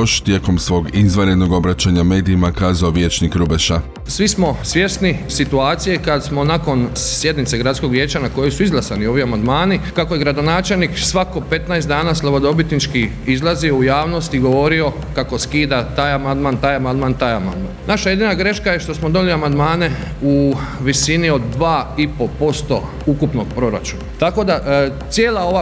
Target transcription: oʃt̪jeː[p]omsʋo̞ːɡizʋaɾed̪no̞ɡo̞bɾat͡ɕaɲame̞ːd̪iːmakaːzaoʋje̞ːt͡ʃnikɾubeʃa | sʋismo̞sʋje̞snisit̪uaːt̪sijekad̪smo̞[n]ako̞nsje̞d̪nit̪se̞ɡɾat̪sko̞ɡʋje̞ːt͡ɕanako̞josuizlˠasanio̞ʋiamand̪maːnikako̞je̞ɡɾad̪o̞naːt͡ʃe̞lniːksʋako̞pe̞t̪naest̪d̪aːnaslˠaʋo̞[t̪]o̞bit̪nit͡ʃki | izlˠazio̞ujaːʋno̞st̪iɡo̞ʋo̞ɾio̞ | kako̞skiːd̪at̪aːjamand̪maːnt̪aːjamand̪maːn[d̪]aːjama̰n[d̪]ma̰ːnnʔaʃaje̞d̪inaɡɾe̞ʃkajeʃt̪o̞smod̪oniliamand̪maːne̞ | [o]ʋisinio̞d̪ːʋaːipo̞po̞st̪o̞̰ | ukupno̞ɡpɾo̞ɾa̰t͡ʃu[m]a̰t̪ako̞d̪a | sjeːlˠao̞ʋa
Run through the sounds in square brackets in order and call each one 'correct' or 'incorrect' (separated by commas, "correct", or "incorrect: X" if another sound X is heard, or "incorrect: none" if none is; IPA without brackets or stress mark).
incorrect: k, correct, incorrect: d̪, incorrect: t̪, correct, incorrect: u, incorrect: n